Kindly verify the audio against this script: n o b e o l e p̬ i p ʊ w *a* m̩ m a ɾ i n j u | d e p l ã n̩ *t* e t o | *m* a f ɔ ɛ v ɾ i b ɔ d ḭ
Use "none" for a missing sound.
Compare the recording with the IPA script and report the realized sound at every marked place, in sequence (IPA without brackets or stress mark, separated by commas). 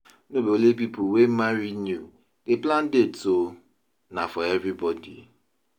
e, d, n